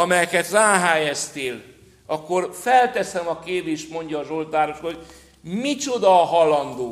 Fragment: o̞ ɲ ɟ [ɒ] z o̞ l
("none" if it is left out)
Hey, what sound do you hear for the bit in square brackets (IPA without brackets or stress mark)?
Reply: ɒː